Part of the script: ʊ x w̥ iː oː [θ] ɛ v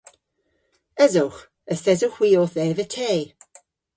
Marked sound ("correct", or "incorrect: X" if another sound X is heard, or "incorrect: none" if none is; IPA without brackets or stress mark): correct